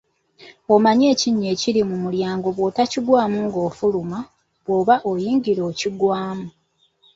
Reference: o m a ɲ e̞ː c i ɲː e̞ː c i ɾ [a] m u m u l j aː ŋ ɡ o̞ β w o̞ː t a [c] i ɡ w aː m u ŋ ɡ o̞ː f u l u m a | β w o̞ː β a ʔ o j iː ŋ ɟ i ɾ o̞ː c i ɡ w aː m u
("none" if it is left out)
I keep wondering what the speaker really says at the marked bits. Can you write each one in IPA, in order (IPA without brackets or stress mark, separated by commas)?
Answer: i, c